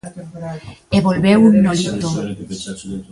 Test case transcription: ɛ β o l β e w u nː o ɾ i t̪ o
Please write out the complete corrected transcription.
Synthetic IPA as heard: e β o l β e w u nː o l i t̪ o